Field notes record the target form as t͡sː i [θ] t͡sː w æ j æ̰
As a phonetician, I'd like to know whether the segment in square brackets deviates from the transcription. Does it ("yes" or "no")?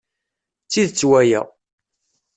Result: yes